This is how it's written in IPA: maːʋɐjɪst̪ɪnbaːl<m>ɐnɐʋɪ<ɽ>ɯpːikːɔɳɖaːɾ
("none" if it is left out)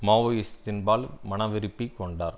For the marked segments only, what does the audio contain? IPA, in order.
m, ɾ

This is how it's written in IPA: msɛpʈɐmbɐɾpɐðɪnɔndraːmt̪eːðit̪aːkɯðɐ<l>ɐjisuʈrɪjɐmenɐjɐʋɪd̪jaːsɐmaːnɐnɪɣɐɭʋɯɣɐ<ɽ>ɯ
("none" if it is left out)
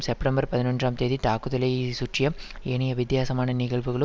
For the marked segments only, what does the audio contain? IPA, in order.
l, ɭ

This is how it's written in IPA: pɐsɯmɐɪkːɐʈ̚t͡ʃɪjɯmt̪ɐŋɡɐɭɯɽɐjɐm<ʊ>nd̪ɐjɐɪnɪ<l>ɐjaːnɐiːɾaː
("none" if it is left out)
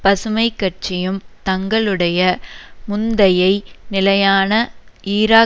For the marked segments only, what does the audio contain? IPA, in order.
ʊ, l

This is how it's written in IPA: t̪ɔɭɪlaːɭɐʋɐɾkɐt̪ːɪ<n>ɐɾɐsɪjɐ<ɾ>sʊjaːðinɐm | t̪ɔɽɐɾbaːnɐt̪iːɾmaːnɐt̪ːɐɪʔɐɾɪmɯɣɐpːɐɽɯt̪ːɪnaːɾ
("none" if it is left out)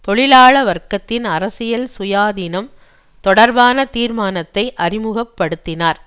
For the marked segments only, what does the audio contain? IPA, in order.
n, l

